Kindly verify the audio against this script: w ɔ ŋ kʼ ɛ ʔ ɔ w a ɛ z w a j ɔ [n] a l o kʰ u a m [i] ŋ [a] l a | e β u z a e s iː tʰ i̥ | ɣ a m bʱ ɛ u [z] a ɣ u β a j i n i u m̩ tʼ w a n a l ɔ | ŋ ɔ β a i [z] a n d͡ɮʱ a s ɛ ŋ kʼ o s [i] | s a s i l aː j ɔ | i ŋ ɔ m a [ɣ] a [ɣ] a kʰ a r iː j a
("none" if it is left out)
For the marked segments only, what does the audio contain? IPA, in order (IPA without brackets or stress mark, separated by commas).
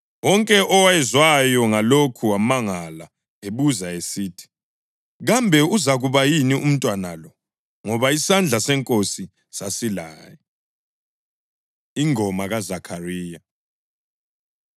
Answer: ŋ, a, a, z, s, i, ɣ, z